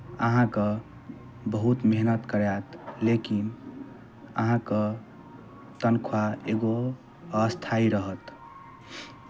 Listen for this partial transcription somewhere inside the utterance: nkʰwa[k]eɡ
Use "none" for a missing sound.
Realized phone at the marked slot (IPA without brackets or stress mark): none